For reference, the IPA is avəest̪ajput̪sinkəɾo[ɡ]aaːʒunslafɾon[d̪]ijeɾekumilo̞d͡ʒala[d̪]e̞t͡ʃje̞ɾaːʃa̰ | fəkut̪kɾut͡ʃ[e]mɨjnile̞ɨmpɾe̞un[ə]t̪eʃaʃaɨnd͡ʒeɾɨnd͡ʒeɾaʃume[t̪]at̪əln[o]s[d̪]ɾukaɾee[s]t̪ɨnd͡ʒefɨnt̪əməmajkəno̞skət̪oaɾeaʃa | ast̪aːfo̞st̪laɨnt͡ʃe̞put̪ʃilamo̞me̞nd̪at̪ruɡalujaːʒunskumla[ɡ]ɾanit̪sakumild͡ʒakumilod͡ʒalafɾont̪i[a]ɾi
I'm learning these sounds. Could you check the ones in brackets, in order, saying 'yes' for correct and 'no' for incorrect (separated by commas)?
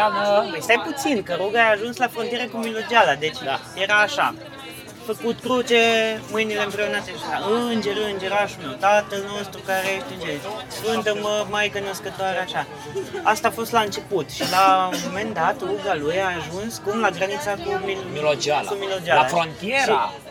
yes, no, yes, yes, no, yes, yes, no, no, yes, no